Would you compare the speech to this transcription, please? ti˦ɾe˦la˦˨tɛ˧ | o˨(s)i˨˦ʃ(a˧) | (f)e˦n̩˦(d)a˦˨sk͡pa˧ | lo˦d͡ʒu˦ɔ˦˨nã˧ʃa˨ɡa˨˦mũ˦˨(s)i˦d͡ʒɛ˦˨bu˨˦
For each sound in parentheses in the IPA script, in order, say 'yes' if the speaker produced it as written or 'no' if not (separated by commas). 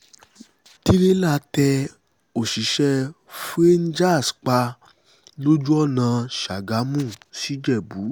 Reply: no, no, yes, no, yes